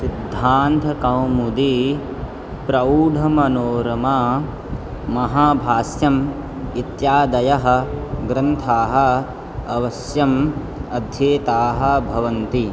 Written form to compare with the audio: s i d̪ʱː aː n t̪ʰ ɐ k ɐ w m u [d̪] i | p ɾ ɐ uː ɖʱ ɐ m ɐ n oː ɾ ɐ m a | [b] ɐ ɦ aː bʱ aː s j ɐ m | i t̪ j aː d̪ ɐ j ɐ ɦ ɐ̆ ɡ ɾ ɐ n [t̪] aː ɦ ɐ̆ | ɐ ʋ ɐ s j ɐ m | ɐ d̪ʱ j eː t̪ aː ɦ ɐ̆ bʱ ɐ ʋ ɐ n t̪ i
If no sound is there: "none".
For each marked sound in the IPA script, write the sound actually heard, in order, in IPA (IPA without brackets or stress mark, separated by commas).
d̪, m, t̪ʰ